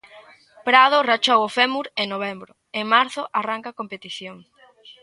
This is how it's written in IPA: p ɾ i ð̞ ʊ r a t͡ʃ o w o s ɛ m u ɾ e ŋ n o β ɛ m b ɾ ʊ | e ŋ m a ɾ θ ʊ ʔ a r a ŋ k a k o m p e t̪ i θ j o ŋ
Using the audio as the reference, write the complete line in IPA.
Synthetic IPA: p ɾ a ð̞ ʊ r a t͡ʃ o w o f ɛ m u ɾ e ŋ n o β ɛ m b ɾ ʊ | e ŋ m a ɾ θ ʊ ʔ a r a ŋ k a k o m p e t̪ i θ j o ŋ